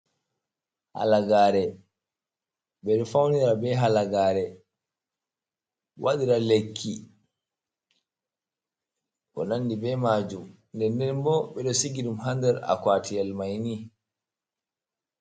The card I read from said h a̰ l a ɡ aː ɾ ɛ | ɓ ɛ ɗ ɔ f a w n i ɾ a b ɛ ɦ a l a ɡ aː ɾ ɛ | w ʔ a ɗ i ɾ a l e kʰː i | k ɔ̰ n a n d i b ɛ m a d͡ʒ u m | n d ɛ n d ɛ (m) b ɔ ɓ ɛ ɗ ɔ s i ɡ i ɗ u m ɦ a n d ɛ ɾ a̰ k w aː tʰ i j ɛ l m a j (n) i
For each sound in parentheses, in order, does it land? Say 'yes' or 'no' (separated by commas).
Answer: no, yes